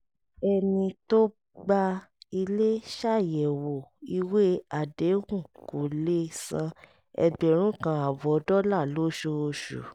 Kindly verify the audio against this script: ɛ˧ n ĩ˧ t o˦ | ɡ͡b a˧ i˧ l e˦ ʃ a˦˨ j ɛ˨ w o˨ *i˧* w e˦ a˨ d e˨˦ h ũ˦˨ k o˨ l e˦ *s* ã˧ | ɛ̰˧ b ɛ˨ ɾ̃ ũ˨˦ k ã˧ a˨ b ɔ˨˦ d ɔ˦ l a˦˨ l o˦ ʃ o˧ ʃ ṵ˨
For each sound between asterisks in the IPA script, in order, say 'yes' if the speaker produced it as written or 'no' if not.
yes, yes

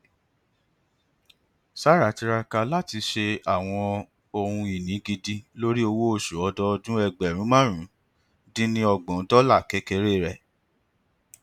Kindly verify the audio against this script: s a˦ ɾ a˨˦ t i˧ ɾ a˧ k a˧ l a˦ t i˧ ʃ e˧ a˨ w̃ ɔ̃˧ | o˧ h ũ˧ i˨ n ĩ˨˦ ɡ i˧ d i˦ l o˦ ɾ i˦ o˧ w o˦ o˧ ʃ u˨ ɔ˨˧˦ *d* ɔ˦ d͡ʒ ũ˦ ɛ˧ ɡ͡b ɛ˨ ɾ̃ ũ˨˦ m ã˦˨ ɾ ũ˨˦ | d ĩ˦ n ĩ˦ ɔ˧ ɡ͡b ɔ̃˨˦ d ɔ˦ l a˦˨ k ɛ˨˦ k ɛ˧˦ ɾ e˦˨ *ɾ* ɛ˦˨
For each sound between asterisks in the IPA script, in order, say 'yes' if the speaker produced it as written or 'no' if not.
yes, yes

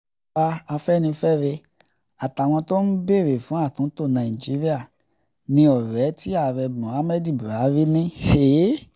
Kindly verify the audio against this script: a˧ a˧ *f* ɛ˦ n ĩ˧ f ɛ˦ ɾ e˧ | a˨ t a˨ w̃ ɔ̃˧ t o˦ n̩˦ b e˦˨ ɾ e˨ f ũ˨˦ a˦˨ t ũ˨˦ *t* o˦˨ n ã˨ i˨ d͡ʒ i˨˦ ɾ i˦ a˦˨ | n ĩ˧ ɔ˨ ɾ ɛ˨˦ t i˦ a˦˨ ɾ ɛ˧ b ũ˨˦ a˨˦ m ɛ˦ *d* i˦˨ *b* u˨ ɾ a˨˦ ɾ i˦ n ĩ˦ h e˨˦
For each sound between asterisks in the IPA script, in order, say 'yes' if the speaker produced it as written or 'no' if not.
yes, yes, yes, yes

